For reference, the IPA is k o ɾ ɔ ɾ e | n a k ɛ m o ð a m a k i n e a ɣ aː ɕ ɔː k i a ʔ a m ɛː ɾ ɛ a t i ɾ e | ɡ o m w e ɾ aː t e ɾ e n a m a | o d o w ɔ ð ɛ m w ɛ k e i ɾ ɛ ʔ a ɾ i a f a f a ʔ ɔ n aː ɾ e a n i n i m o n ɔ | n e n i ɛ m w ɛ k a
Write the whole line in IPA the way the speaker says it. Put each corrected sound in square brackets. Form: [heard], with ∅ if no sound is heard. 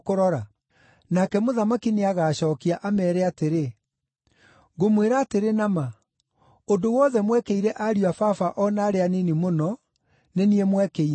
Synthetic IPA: k o ɾ ɔ ɾ [a] | n a k ɛ m o ð a m a k i n e a ɣ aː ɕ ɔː k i a ʔ a m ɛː ɾ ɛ a t [e] ɾ e | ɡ o m w e ɾ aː t e ɾ e n a m a | o d o w ɔ ð ɛ m w ɛ k e i ɾ ɛ ʔ a ɾ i a f a f a ʔ ɔ n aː ɾ e a n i n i m o n ɔ | n e n i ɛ m w ɛ k [e]